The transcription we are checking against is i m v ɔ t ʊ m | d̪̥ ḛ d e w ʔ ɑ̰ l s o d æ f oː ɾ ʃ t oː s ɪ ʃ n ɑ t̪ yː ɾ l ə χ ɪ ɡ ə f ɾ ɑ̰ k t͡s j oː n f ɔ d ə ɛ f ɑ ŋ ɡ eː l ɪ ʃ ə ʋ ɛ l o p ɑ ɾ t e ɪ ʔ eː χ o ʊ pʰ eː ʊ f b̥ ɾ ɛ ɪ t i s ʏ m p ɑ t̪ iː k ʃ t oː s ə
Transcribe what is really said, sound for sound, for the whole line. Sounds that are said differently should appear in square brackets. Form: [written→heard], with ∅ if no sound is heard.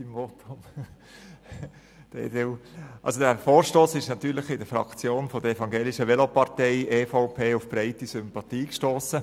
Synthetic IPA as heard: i m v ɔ t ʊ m | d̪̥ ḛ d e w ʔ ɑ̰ l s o d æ f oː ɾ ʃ t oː s ɪ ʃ n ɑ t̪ yː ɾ l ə χ ɪ [ɡ→d] ə f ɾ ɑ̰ k t͡s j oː n f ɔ d ə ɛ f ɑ ŋ ɡ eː l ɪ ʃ ə ʋ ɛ l o p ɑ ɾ t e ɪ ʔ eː [χ→f] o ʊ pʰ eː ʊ f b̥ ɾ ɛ ɪ t i s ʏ m p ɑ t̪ iː k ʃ t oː s ə